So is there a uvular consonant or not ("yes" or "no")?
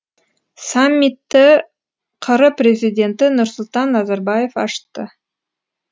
yes